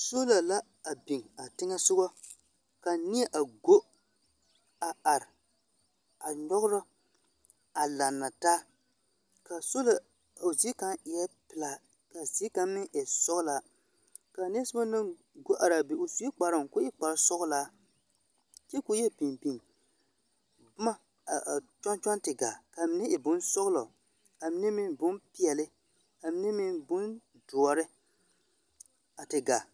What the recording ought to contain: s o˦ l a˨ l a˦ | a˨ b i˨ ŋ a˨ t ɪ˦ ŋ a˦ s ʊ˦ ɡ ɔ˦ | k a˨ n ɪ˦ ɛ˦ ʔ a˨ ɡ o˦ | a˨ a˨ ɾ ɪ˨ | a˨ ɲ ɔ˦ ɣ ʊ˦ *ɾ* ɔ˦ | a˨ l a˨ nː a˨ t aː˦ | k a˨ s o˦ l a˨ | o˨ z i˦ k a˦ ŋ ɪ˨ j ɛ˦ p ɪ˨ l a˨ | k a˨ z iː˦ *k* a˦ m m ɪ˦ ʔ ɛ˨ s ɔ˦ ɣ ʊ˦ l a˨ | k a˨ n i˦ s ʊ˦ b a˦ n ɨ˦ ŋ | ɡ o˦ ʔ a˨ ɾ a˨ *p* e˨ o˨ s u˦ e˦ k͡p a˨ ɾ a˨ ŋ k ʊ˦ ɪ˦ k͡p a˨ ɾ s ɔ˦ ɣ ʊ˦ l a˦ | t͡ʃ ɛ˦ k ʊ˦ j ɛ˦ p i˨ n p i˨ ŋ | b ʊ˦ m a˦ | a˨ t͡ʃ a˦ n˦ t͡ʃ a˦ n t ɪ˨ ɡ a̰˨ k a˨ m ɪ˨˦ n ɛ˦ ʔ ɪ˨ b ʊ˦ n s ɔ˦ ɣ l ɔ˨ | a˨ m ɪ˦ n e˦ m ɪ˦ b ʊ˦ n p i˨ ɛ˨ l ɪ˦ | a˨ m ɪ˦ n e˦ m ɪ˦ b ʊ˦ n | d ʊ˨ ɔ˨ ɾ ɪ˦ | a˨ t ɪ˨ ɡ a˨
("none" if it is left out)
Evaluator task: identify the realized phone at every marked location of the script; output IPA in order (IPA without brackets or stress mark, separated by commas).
ɾ, k, b